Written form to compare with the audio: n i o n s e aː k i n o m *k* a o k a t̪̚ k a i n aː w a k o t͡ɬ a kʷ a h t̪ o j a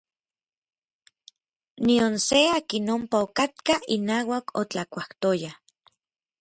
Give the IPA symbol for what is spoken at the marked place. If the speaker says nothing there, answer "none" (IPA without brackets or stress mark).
p